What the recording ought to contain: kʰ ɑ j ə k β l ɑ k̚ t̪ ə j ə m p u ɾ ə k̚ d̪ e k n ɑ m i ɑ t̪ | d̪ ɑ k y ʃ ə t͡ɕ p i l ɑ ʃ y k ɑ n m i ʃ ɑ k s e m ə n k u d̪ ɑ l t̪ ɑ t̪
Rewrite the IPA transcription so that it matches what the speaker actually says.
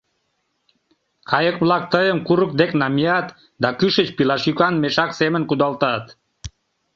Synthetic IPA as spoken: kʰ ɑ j ə k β l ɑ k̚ t̪ ə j ə m k u ɾ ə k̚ d̪ e k n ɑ m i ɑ t̪ | d̪ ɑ k y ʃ ə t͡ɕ p i l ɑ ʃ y k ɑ n m e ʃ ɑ k s e m ə n k u d̪ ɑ l t̪ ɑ t̪